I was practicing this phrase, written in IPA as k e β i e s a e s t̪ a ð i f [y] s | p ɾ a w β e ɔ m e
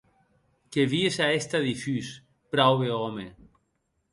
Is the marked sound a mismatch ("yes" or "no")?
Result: no